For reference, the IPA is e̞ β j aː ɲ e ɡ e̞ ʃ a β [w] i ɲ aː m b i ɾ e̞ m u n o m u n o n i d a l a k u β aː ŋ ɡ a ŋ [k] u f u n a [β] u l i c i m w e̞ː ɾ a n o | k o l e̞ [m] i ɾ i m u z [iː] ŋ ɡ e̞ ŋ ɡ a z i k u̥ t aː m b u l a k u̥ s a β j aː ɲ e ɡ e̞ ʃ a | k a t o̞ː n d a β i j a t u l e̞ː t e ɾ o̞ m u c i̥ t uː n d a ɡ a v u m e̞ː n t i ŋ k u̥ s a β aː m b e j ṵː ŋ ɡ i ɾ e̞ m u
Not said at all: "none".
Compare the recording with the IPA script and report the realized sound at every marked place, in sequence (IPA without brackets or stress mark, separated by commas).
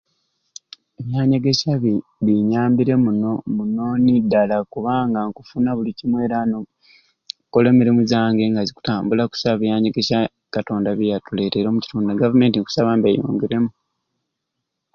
β, k, β, m, aː